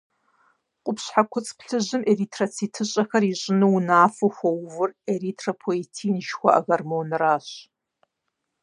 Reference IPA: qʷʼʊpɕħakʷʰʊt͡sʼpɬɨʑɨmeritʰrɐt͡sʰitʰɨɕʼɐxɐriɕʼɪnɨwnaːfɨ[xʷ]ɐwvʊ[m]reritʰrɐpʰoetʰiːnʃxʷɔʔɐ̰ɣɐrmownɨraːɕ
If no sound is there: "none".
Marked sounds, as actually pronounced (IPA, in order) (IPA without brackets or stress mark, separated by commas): xʷ, none